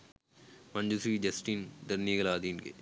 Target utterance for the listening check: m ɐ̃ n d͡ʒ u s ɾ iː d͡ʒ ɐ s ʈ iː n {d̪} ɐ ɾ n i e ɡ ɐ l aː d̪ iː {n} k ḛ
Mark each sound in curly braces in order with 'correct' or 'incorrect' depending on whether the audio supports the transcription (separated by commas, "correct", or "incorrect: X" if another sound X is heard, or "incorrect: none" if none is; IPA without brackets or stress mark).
correct, correct